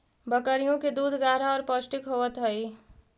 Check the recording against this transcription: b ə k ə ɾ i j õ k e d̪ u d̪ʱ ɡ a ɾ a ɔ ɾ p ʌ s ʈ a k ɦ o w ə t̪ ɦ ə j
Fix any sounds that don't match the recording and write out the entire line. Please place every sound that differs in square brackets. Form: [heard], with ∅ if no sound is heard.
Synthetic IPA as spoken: b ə k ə ɾ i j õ k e d̪ u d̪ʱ ɡ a ɾ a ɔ ɾ p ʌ s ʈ [i] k ɦ o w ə t̪ ɦ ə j